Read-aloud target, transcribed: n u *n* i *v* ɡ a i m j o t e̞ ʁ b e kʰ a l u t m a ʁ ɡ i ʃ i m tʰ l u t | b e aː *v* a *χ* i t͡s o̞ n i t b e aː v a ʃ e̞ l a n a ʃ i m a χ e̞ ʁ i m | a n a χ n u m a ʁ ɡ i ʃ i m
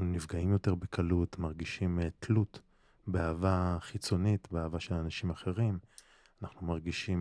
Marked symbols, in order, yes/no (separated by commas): yes, yes, yes, yes